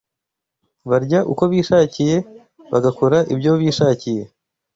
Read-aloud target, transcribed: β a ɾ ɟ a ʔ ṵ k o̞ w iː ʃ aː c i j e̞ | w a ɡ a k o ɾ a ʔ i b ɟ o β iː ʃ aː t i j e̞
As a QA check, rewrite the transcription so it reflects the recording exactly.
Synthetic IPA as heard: β a ɾ ɟ a ʔ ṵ k o̞ β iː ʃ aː c i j e̞ | β a ɡ a k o ɾ a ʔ i b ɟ o β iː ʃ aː c i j e̞

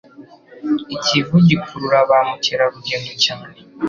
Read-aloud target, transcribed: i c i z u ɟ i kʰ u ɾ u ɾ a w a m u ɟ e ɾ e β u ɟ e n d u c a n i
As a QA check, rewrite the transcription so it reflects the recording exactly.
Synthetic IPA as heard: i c i v u ɟ i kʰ u ɾ u ɾ a β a m u c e ɾ a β u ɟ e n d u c a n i

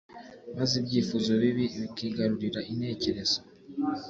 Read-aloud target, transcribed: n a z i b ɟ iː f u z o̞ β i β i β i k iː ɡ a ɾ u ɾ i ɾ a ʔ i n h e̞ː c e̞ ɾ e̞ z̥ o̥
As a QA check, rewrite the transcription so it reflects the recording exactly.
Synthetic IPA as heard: m a z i b ɟ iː f u z o̞ β i β i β i k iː ɡ a ɾ u ɾ i ɾ a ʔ i n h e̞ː c e̞ ɾ e̞ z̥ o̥

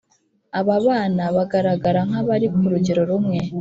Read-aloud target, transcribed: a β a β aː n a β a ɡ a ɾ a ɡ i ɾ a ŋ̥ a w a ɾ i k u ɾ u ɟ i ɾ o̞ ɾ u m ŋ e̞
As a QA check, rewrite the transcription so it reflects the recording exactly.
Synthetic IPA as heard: a β a β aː n a β a ɡ a ɾ a ɡ a ɾ a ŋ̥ a β a ɾ i k u ɾ u ɟ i ɾ o̞ ɾ u m ŋ e̞

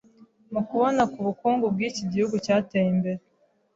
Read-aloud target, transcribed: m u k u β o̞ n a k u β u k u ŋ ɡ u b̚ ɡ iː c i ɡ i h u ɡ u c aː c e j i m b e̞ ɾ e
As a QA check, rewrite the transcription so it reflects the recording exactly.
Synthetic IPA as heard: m u k u β o̞ n a k u β u k uː ŋ ɡ u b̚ ɡ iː c i ɟ i h u ɡ u c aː t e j i m b e̞ ɾ e

